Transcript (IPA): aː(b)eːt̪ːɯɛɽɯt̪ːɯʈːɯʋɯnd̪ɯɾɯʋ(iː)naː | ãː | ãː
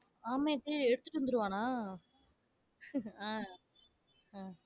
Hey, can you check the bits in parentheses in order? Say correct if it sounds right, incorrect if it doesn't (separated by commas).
incorrect, incorrect